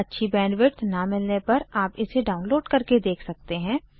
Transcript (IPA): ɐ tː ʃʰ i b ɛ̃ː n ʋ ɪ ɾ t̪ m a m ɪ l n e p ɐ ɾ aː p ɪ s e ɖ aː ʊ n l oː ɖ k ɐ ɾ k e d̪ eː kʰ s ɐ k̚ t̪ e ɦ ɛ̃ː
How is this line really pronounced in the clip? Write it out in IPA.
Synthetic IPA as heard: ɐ tː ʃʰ i b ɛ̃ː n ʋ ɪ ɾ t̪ n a m ɪ l n e p ɐ ɾ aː p ɪ s e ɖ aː ʊ n l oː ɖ k ɐ ɾ k e d̪ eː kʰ s ɐ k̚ t̪ e ɦ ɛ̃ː